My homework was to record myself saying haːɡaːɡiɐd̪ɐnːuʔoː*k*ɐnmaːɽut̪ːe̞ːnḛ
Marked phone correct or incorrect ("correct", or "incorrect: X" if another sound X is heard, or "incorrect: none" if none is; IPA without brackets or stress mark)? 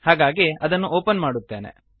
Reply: incorrect: p